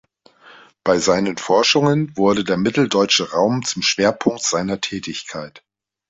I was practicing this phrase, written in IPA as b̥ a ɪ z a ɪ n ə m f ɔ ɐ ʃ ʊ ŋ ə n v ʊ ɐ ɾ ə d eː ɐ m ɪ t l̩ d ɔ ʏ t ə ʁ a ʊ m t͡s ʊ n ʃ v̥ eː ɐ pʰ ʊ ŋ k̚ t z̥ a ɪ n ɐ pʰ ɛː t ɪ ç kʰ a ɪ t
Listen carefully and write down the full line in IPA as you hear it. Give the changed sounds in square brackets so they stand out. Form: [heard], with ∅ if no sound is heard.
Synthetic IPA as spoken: b̥ a ɪ z a ɪ n ə [n] f ɔ ɐ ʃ ʊ ŋ ə n v ʊ ɐ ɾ ə d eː ɐ m ɪ t l̩ d ɔ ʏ [t͡ʃ] ə ʁ a ʊ m t͡s ʊ [m] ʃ v̥ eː ɐ pʰ ʊ ŋ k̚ t z̥ a ɪ n ɐ [tʰ] ɛː t ɪ ç kʰ a ɪ t